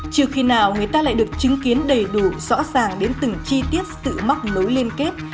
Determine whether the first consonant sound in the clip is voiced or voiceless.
voiceless